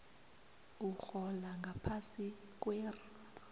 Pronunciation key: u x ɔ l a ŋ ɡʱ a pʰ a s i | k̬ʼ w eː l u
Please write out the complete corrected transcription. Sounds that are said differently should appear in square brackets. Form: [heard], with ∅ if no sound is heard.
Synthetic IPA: u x ɔ l a ŋ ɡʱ a pʰ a s i | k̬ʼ w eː [r] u